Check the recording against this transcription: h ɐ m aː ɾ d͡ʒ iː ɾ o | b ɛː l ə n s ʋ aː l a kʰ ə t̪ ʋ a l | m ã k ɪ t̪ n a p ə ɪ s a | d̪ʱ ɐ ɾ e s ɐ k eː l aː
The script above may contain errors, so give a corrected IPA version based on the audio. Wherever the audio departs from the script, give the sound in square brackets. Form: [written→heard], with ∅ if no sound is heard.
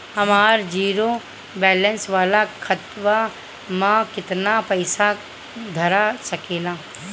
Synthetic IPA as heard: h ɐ m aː ɾ d͡ʒ iː ɾ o | b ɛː l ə n s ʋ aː l a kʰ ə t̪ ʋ a [l→∅] | m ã k ɪ t̪ n a p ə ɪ s a | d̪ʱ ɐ ɾ [e→a] s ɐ k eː l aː